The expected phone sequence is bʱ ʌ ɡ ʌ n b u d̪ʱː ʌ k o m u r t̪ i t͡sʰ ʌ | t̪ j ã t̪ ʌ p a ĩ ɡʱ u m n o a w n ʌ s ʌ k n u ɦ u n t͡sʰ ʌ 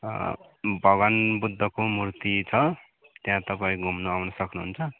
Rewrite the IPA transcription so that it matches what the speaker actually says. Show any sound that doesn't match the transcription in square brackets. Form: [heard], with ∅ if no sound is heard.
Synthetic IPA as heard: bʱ ʌ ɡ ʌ n b u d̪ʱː ʌ k o m u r t̪ i t͡sʰ ʌ | t̪ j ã t̪ ʌ p a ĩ ɡʱ u m n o a w n ʌ s ʌ k n u ɦ u n t͡sʰ ʌ